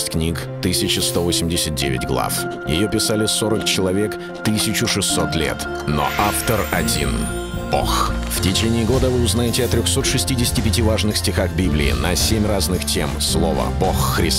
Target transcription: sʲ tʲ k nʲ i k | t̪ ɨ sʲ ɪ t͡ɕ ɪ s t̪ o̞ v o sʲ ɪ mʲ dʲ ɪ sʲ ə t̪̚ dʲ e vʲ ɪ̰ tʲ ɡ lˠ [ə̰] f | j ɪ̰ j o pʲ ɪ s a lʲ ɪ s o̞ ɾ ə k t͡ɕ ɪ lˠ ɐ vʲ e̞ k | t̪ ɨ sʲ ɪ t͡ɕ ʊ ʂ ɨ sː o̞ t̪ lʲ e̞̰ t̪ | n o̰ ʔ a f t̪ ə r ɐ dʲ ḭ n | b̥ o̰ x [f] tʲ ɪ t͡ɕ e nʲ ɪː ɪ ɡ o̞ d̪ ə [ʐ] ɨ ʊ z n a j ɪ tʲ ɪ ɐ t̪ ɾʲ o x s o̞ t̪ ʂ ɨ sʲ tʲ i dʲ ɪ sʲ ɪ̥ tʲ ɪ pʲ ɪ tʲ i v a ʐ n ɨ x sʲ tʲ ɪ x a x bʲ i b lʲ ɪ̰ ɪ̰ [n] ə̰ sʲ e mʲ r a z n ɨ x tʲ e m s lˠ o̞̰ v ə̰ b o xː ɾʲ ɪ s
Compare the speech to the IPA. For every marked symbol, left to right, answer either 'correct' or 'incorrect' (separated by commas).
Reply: incorrect, correct, incorrect, correct